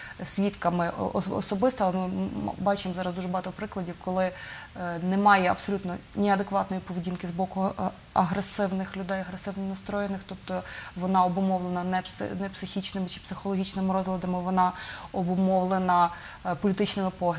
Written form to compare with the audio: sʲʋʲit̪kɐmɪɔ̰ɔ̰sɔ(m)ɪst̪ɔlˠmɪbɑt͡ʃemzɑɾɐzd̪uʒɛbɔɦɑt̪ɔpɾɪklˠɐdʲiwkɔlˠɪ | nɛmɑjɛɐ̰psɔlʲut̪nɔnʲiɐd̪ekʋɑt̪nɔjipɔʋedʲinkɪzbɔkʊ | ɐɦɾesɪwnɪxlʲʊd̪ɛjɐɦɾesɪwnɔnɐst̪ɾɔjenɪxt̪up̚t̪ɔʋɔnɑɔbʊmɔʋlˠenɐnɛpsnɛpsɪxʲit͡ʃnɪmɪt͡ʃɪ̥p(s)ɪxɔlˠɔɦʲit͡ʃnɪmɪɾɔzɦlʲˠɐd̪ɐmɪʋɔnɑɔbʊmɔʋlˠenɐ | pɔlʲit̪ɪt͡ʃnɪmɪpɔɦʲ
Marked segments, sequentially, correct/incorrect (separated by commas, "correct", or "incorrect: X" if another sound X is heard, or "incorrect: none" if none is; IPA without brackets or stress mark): incorrect: b, correct